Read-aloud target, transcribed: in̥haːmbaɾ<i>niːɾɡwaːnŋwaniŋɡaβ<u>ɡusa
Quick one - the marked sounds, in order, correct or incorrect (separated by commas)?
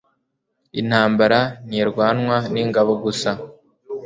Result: incorrect, incorrect